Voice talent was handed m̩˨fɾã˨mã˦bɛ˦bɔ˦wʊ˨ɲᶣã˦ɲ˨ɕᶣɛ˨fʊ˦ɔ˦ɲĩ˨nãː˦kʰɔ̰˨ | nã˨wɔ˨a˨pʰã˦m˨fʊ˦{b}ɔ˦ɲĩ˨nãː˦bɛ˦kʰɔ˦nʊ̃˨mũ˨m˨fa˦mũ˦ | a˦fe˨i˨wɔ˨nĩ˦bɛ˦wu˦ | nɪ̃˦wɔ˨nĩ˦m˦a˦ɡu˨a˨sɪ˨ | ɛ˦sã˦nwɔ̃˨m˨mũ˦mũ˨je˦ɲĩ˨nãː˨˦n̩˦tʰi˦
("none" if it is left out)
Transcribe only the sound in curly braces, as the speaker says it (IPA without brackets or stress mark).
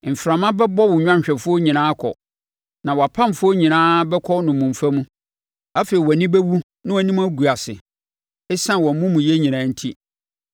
none